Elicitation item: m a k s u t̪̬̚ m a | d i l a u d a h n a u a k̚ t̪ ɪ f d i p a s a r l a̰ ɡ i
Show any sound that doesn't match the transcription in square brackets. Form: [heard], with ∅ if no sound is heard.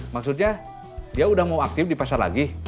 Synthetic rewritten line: m a k s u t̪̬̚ [ɲ] a | d i [∅] a u d a h [m] a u a k̚ t̪ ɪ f d i p a s a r l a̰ ɡ i